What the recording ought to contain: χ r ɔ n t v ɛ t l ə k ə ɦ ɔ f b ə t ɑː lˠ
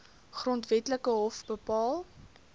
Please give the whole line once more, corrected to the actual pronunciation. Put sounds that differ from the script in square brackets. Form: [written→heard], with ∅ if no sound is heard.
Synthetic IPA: χ r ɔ n t v ɛ t l ə k ə ɦ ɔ f b ə [t→p] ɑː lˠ

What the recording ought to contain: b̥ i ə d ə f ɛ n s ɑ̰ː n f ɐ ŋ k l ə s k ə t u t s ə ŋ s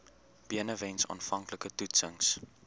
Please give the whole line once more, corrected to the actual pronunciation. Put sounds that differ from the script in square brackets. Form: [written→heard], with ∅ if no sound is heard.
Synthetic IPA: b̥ i ə [d→n] ə [f→v] ɛ n s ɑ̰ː n f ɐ ŋ k l ə [s→∅] k ə t u t s ə ŋ s

